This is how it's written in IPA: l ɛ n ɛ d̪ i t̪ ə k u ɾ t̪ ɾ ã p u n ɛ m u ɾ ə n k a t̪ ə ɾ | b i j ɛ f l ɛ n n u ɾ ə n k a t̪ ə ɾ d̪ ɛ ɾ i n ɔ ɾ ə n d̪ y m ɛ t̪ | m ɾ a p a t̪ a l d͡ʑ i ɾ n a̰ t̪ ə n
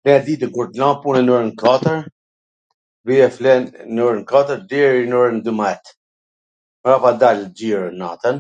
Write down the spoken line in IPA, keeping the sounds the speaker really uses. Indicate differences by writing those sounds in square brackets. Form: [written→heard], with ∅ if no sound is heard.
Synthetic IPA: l ɛ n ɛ d̪ i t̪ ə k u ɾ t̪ [ɾ→l] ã p u n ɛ [m→n] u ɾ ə n k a t̪ ə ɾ | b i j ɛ f l ɛ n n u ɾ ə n k a t̪ ə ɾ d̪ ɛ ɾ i n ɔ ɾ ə n d̪ y m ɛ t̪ | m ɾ a p a [t̪→d̪] a l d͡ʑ i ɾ n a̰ t̪ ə n